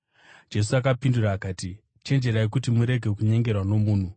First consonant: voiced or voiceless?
voiced